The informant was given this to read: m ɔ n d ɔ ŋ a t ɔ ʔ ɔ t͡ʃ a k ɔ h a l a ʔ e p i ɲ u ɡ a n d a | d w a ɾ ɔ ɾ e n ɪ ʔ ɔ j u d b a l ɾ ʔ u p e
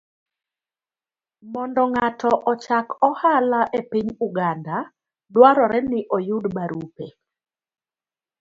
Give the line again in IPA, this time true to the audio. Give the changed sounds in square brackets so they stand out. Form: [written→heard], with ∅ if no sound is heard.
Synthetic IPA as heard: m ɔ n d ɔ ŋ a t ɔ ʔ ɔ t͡ʃ a k ɔ h a l a ʔ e p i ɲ u ɡ a n d a | d w a ɾ ɔ ɾ [e→ɛ] n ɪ ʔ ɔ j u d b a [l→∅] ɾ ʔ u p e